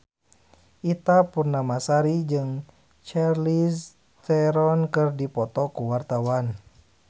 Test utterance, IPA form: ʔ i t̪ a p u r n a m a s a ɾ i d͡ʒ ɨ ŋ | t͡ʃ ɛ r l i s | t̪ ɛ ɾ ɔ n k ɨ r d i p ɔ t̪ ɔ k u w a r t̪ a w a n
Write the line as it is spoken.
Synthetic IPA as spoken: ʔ i t̪ a p u r n a m a s a ɾ i d͡ʒ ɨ ŋ | t͡ʃ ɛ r l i s | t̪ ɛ ɾ ɔ n k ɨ r d i p ɔ t̪ ɔ k u w a r t̪ a w a n